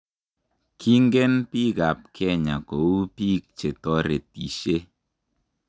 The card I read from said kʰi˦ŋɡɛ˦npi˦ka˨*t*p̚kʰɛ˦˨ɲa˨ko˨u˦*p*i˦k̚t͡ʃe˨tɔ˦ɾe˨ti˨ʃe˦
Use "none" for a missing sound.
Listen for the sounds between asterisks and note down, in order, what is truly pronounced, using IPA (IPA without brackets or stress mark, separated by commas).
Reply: none, p